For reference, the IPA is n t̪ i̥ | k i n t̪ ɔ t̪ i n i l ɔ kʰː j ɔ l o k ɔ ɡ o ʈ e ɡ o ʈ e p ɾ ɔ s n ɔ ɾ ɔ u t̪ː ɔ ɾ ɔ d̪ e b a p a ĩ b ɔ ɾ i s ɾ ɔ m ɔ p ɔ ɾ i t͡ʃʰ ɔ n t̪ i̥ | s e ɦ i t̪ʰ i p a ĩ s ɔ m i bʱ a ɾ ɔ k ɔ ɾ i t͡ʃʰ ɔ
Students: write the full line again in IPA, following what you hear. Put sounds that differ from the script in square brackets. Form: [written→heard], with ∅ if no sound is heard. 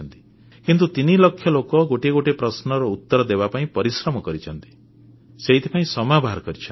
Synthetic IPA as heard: n t̪ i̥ | k i n t̪ [ɔ→u] t̪ i n i l ɔ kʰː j ɔ l o k ɔ ɡ o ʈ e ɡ o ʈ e p ɾ ɔ s n ɔ ɾ ɔ u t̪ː ɔ ɾ ɔ d̪ e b a p a ĩ [b→p] ɔ ɾ i s ɾ ɔ m ɔ [p→k] ɔ ɾ i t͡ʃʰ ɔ n t̪ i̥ | s e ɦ i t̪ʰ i p a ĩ s ɔ m [i→a] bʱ a ɾ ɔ k ɔ ɾ i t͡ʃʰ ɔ